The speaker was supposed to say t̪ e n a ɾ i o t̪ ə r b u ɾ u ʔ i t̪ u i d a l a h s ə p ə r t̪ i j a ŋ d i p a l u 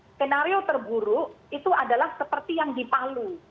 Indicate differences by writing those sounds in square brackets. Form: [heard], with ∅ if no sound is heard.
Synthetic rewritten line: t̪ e n a ɾ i o t̪ ə r b u ɾ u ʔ i t̪ u [a] d a l a h s ə p ə r t̪ i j a ŋ d i p a l u